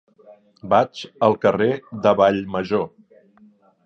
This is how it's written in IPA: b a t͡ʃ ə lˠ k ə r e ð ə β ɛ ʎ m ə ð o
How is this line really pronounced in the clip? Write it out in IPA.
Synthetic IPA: b a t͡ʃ ə lˠ k ə r e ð ə β a ʎ m ə ʒ o